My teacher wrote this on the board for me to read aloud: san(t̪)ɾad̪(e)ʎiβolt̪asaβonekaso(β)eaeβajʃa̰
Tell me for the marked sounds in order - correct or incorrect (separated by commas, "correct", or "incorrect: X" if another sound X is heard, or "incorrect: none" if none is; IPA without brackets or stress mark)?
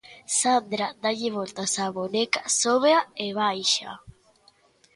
incorrect: d̪, incorrect: a, correct